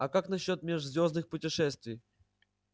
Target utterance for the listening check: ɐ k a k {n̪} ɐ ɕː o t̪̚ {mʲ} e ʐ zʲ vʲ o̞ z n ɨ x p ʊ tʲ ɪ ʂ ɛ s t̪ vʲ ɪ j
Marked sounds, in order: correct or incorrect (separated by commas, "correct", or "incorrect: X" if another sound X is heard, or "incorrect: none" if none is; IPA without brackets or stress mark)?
correct, correct